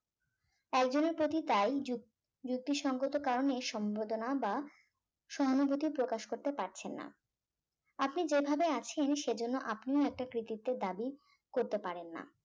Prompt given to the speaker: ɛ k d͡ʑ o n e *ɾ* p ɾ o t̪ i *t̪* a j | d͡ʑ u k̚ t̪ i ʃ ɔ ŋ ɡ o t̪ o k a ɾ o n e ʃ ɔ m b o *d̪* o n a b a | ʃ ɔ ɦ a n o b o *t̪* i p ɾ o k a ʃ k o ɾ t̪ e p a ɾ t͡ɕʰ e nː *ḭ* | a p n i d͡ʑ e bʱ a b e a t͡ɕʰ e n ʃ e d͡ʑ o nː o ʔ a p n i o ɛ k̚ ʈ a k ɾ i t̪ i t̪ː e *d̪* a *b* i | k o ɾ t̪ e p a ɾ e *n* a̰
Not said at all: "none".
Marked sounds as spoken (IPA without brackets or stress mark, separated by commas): ɾ, t̪, d̪, t̪, a̰, d̪, b, nː